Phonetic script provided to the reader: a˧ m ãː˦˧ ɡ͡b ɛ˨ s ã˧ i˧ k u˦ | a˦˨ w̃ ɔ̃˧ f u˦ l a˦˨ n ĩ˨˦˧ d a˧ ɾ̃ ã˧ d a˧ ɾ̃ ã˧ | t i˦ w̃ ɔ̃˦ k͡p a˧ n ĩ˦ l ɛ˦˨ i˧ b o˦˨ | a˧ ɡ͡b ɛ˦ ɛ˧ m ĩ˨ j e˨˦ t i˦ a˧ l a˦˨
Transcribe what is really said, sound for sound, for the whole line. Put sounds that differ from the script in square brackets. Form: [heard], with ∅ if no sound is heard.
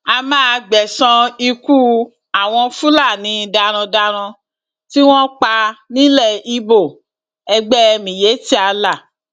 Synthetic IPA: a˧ m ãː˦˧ ɡ͡b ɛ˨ s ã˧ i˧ k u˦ | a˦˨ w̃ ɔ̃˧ f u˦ l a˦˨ n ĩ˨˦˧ d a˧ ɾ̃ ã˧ d a˧ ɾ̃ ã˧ | t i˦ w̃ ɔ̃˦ k͡p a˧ n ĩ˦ l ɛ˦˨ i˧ b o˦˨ | [ɛ˧] ɡ͡b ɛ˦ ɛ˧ m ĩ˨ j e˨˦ t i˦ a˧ l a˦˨